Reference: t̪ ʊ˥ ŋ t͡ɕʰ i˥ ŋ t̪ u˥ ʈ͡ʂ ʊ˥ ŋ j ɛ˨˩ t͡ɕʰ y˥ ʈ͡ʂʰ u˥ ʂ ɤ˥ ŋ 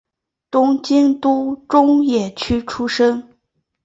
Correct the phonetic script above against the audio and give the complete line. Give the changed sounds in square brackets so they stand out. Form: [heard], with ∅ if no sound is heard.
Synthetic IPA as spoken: t̪ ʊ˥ ŋ [t͡ɕ] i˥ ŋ t̪ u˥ ʈ͡ʂ ʊ˥ ŋ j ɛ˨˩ t͡ɕʰ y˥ ʈ͡ʂʰ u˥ ʂ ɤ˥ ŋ